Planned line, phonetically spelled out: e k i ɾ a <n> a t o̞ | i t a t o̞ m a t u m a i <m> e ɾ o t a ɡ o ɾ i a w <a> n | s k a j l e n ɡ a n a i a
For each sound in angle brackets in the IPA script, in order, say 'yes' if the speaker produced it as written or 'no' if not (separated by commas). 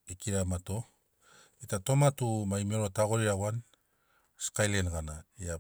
no, yes, yes